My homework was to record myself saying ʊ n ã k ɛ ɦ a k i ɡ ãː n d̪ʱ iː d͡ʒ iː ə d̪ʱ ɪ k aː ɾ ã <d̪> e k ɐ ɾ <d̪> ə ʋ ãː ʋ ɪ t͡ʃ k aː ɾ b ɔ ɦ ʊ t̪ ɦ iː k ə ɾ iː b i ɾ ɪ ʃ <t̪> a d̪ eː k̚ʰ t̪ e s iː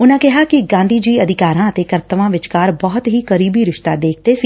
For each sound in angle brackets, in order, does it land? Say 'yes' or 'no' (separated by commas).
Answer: no, no, yes